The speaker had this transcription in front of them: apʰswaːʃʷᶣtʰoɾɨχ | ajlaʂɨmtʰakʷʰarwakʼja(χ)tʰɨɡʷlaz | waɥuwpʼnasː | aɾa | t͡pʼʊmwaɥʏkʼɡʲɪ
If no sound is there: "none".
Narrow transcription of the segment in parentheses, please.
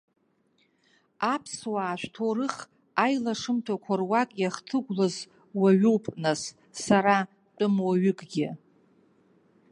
χ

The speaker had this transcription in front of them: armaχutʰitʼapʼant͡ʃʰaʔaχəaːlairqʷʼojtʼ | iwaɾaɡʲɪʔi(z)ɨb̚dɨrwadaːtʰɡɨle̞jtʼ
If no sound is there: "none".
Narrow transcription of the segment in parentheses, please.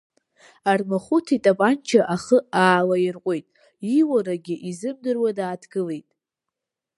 z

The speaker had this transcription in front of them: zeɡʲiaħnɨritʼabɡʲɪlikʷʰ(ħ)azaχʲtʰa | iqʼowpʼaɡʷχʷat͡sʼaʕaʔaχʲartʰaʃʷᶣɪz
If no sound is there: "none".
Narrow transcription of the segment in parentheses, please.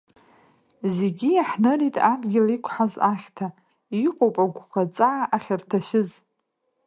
ħ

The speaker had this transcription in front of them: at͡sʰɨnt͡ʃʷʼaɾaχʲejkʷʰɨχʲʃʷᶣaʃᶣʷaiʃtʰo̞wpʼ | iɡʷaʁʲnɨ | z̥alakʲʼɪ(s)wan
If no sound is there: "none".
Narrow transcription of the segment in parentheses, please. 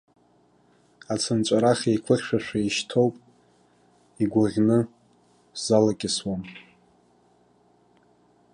s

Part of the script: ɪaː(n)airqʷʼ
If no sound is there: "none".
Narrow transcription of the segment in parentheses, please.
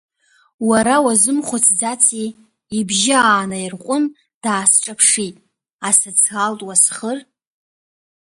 n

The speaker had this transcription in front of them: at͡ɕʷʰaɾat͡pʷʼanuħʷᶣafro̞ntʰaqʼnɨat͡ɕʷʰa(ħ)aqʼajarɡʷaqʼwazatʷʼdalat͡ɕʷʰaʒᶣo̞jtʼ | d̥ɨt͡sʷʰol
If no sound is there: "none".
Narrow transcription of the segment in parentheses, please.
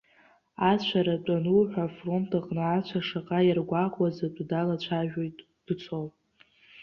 ʂ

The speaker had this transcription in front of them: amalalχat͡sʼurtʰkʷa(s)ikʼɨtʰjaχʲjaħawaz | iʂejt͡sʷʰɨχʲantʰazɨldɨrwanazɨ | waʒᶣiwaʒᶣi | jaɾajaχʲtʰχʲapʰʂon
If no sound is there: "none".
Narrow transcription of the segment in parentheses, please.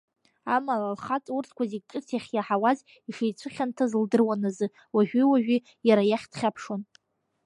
z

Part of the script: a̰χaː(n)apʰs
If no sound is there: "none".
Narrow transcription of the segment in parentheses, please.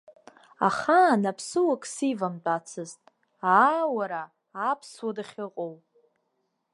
n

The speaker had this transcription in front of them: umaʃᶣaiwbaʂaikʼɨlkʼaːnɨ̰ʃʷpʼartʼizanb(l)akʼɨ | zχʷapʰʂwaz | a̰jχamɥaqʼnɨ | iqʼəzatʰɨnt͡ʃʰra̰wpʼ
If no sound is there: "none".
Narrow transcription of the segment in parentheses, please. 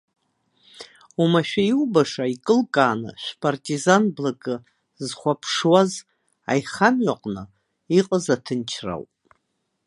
l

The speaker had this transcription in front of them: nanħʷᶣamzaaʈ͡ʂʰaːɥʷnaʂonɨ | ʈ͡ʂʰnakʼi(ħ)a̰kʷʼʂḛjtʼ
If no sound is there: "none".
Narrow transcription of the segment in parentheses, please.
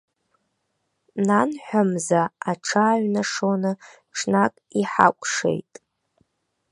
ħ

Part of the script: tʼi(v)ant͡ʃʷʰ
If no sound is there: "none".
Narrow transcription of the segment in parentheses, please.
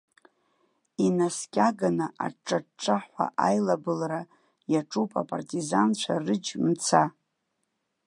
z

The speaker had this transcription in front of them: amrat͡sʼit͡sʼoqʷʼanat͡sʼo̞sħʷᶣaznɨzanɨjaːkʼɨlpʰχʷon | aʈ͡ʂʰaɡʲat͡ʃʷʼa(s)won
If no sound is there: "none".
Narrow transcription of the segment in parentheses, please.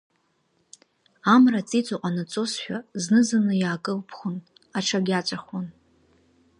χ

